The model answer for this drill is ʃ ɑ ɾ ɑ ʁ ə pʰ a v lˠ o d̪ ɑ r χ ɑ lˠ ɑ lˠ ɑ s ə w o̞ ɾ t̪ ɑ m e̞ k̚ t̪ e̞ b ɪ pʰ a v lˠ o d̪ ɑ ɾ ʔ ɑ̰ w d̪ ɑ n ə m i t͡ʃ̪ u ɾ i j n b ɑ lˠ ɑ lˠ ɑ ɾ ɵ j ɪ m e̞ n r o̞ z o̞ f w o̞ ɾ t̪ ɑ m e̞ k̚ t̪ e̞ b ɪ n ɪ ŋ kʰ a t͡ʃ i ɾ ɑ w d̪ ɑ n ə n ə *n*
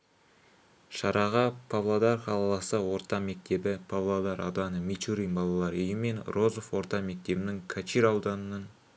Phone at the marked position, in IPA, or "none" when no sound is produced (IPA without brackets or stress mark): n